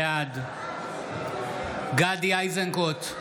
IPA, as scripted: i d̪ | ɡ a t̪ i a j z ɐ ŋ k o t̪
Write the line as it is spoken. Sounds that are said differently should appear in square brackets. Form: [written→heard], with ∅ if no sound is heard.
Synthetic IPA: [i→a] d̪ | ɡ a [t̪→d̪] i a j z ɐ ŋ k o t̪

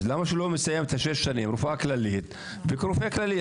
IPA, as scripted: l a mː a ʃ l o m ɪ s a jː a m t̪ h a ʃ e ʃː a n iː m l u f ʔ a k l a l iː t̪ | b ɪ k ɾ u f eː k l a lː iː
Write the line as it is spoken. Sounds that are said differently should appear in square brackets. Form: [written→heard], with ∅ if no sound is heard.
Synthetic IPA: l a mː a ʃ l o m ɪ s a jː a m t̪ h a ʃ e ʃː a n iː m [l→ɾ] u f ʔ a k l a l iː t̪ | b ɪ k ɾ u f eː k l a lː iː

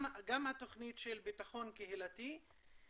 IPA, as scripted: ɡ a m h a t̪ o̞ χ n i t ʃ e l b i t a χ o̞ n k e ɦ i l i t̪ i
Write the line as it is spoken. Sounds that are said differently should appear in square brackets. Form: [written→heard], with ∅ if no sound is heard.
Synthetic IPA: ɡ a m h a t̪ o̞ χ n i t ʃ e l b i t a χ o̞ n k e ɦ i l [i→a] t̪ i

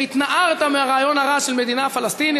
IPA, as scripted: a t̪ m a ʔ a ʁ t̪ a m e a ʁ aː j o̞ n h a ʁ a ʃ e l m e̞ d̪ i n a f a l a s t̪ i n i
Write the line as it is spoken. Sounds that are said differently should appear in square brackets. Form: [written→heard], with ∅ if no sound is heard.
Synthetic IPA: [a→i] t̪ [m→n] a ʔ a ʁ t̪ a m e a ʁ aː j o̞ n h a ʁ a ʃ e l m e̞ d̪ i n a f a l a s t̪ i n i

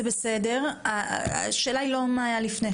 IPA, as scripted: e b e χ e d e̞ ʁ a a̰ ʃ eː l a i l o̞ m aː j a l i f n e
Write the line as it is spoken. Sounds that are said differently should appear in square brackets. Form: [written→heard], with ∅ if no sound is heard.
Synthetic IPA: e b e [χ→s] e d e̞ ʁ a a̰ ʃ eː l a i l o̞ m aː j a l i f n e

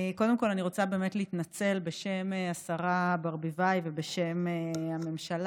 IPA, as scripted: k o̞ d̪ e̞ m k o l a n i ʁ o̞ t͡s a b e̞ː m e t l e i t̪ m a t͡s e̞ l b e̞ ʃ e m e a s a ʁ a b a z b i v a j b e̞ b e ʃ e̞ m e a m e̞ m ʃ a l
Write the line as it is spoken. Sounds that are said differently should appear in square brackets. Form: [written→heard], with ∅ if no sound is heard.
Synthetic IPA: k o̞ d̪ e̞ m k o l a n i ʁ o̞ t͡s a b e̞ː m e t l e i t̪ [m→n] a t͡s e̞ l b e̞ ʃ e m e a s a ʁ a b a [z→ʁ] b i v a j [b→v] e̞ b e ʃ e̞ m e a m e̞ m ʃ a l

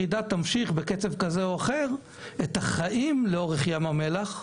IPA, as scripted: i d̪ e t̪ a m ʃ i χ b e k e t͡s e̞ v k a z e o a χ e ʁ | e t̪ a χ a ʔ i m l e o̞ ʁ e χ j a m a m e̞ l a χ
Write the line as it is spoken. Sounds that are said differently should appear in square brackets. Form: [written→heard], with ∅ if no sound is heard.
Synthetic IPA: i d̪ [e→a] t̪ a m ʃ i χ b e k e t͡s e̞ v k a z e o a χ e ʁ | e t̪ a χ a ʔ i m l e o̞ ʁ e χ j a m a m e̞ l a χ

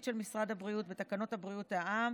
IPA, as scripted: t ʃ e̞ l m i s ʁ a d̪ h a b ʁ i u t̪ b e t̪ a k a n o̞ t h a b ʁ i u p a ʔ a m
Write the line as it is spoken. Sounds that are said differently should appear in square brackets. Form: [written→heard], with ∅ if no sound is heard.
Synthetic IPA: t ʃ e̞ l m i s ʁ a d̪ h a b ʁ i u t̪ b e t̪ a k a n o̞ t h a b ʁ i u [p→t] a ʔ a m

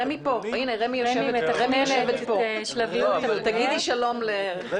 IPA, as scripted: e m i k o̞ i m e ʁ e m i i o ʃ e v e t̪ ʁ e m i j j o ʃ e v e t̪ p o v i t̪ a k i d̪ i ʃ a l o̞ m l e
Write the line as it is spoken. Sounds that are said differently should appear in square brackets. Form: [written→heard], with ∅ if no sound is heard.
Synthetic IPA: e m i [k→p] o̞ i [m→n] e ʁ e m i [i→j] o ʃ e v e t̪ ʁ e m i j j o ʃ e v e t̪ p o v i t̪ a [k→ɡ] i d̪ i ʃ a l o̞ m l e

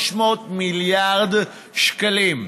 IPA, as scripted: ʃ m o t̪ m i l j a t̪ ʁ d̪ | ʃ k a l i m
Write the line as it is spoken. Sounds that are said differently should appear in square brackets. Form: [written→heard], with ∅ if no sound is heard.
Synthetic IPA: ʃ m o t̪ m i l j a [t̪→∅] ʁ d̪ | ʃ k a l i m

